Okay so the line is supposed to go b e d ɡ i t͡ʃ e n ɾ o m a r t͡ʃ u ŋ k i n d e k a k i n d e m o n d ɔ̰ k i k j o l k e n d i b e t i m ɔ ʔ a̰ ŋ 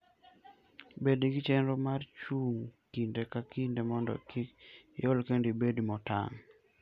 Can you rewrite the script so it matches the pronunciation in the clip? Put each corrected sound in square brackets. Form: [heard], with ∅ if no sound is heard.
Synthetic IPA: b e d ɡ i t͡ʃ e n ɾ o m a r t͡ʃ u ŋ k i n d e k a k i n d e m [ɔ] n d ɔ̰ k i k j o l k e n d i b e [d] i m ɔ [t] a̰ ŋ